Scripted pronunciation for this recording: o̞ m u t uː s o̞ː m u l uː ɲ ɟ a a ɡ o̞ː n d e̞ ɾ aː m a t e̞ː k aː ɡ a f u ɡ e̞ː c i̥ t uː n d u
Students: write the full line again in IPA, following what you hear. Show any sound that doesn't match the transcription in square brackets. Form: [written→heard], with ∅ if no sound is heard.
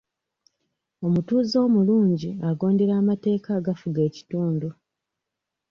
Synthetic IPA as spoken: o̞ m u t uː [s→z] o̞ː m u l uː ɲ ɟ [a→i] a ɡ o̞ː n d e̞ ɾ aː m a t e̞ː k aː ɡ a f u ɡ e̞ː c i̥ t uː n d u